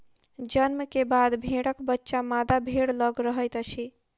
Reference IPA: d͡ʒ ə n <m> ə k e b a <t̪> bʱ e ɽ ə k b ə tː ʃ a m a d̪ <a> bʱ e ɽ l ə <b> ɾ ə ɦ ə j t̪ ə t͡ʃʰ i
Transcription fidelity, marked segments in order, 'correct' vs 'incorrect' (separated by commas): correct, incorrect, correct, incorrect